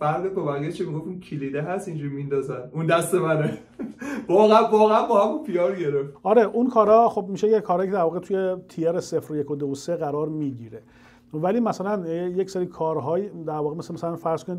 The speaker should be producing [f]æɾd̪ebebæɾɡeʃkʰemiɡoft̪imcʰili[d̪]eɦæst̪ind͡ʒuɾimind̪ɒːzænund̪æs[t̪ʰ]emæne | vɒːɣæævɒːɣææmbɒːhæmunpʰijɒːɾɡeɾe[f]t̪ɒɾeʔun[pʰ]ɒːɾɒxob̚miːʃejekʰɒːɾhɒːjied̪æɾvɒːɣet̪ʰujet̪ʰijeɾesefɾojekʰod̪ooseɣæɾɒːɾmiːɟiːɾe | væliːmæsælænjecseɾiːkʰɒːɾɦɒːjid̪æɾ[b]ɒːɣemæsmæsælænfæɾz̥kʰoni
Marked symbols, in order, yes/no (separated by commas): yes, yes, no, yes, no, no